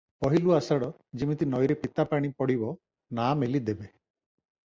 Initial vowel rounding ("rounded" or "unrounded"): rounded